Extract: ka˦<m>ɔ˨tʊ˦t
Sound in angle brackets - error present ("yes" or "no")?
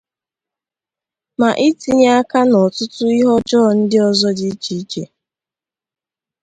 yes